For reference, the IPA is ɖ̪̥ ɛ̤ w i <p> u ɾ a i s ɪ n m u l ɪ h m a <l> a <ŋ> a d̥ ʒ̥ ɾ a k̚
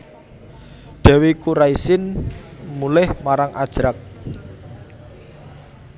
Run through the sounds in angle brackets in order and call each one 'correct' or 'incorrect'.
incorrect, incorrect, correct

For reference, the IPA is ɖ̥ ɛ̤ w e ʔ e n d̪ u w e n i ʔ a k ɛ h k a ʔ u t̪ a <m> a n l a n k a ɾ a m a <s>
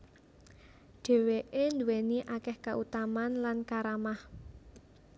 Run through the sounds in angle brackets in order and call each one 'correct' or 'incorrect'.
correct, incorrect

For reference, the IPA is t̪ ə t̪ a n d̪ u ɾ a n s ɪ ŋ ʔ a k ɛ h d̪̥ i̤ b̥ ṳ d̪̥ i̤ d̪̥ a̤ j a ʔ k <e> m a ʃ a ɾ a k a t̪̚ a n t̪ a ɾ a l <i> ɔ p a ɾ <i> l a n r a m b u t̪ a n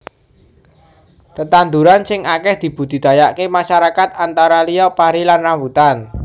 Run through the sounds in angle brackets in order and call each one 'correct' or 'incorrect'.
correct, correct, correct

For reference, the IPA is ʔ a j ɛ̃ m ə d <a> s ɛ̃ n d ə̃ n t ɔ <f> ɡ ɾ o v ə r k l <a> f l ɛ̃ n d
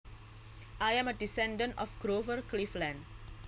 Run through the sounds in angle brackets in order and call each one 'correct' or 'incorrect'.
incorrect, correct, incorrect

